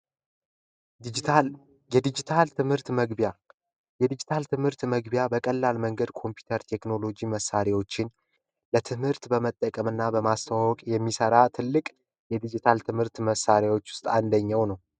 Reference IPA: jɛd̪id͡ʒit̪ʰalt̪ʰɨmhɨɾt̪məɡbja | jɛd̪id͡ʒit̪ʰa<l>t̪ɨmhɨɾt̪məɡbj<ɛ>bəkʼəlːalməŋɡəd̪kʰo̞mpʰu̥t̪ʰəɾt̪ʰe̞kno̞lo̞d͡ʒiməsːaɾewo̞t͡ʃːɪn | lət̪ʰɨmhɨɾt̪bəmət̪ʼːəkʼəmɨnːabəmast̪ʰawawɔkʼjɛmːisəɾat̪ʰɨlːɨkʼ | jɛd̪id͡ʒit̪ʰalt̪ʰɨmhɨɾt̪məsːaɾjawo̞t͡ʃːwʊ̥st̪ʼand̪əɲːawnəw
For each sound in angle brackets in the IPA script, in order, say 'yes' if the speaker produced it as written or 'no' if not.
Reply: yes, no

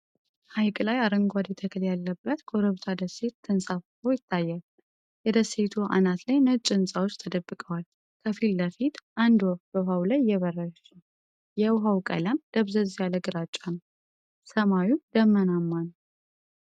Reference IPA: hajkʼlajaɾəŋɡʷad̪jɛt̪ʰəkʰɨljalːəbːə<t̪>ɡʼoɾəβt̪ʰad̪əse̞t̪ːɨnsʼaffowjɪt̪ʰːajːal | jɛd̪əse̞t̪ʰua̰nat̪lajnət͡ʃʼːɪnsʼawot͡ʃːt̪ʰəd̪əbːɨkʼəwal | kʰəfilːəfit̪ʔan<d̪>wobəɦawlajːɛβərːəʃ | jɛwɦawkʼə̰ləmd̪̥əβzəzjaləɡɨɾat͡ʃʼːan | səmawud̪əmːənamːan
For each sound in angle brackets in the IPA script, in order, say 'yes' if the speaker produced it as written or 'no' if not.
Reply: yes, yes

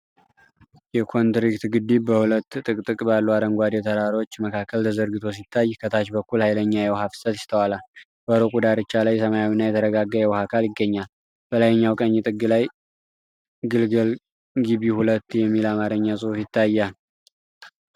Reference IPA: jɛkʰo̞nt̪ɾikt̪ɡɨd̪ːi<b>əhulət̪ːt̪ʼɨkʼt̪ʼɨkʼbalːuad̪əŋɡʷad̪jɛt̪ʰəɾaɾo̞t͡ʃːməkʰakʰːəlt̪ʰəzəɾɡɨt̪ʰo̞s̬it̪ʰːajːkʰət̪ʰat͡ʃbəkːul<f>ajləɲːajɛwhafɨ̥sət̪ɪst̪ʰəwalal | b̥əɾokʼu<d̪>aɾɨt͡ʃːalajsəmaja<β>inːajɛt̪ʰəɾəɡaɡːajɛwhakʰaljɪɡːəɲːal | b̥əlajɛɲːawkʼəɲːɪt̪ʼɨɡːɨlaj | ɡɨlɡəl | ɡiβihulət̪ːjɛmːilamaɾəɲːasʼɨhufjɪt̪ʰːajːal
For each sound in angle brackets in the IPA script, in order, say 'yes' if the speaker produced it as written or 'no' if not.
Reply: yes, no, yes, no

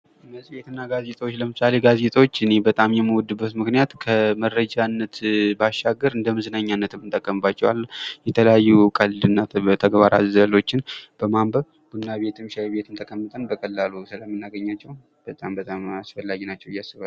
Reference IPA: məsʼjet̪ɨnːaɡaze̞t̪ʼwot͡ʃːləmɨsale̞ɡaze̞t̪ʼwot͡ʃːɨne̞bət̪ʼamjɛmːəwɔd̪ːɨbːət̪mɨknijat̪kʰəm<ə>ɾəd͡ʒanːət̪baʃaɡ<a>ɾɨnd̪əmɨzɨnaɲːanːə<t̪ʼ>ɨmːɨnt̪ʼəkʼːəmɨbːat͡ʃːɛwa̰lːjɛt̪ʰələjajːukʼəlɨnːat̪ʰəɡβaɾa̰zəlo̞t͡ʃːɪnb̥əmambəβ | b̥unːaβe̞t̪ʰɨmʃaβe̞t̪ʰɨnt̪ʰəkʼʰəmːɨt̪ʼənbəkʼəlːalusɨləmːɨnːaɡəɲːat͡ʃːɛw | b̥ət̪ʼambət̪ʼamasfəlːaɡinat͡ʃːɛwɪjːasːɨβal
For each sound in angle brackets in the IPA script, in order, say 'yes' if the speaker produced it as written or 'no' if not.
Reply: yes, no, no

